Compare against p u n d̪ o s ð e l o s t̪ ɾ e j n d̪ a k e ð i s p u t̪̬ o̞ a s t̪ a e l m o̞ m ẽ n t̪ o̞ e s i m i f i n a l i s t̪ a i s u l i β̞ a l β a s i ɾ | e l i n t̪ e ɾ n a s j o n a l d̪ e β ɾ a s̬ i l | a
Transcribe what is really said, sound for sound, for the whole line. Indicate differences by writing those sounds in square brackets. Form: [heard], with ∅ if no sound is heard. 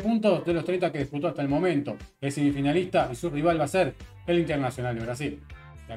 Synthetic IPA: p u n [t̪] o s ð e l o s t̪ ɾ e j n [t̪] a k e ð i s p u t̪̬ o̞ a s t̪ a e l m o̞ m ẽ n t̪ o̞ e s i m i f i n a l i s t̪ a i s u [r] i β̞ a l β a s [e] ɾ | e l i n t̪ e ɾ n a s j o n a l d̪ e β ɾ a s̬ i l | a